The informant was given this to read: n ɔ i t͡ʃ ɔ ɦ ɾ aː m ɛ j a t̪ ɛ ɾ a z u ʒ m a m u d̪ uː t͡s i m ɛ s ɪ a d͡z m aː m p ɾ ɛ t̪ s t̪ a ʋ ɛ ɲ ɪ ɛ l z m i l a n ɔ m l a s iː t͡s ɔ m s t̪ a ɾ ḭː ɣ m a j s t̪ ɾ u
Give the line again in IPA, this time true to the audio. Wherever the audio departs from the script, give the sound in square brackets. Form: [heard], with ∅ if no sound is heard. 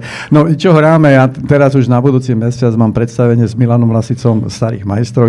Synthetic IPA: n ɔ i t͡ʃ ɔ ɦ ɾ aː m ɛ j a t̪ ɛ ɾ a z u ʒ [n] a [b] u d̪ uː t͡s i m ɛ s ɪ a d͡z m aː m p ɾ ɛ t̪ s t̪ a ʋ ɛ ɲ ɪ ɛ [∅] z m i l a n ɔ m l a s [i] t͡s ɔ m s t̪ a ɾ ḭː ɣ m a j s t̪ ɾ [ɔ]